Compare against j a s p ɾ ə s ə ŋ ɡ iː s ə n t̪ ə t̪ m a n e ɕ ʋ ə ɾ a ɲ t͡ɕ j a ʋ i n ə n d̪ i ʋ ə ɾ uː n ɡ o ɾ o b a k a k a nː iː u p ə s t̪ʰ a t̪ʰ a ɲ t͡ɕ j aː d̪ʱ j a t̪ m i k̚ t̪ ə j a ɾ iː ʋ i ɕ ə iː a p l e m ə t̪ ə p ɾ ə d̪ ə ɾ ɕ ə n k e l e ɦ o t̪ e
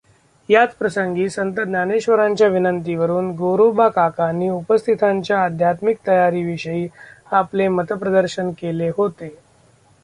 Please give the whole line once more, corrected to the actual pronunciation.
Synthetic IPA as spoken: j a t͡s p ɾ ə s ə ŋ ɡ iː s ə n t̪ ə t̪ n a n e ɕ ʋ ə ɾ a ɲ t͡ɕ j a ʋ i n ə n t̪ i ʋ ə ɾ uː n ɡ o ɾ o b a k a k a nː iː u p ə s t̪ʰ i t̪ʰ a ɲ t͡ɕ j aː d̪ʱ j a t̪ m i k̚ t̪ ə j a ɾ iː ʋ i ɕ ə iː a p l e m ə t̪ ə p ɾ ə d̪ ə ɾ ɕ ə n k e l e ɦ o t̪ e